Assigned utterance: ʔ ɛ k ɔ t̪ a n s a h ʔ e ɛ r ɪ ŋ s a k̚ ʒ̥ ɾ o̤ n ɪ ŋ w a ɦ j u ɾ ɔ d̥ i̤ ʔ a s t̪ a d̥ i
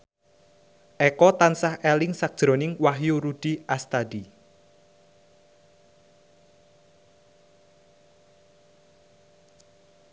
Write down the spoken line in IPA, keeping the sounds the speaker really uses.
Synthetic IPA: ʔ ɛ k ɔ t̪ a n s a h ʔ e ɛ l ɪ ŋ s a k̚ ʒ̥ ɾ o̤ n ɪ ŋ w a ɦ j u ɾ u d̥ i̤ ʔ a s t̪ a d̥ i